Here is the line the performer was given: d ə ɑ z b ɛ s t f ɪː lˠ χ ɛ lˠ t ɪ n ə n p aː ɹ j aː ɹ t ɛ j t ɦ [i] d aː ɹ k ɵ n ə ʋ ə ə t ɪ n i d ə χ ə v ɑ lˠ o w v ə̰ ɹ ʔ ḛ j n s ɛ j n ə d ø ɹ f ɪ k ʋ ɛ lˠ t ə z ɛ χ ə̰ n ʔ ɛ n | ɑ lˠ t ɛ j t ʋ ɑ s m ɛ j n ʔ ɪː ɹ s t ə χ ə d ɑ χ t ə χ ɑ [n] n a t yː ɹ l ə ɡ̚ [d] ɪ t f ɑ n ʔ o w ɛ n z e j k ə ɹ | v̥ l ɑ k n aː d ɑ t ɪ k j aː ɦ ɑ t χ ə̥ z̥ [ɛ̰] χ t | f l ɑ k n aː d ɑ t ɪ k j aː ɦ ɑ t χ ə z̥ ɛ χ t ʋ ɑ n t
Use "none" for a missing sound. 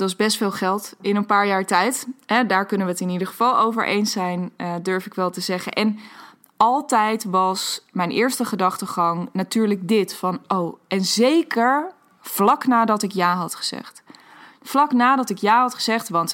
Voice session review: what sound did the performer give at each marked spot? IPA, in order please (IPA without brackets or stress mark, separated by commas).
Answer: ɛ, ŋ, d, ɛ̰